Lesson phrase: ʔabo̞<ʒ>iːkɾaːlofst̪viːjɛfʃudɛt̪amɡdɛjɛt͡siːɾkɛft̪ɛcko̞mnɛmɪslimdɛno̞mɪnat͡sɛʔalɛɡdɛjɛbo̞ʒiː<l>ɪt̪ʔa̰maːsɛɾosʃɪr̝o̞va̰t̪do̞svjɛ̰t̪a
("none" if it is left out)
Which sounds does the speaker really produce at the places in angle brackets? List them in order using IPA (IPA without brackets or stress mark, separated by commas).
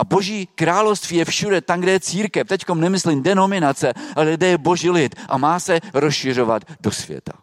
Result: ʒ, l